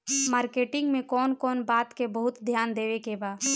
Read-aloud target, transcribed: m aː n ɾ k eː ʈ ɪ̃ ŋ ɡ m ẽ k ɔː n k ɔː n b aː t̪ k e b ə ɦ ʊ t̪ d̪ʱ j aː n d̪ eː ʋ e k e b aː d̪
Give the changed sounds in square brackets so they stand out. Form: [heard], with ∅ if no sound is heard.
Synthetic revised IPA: m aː [∅] ɾ k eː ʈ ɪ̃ ŋ ɡ m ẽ k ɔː n k ɔː n b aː t̪ k e b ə ɦ ʊ t̪ d̪ʱ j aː n d̪ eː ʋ e k e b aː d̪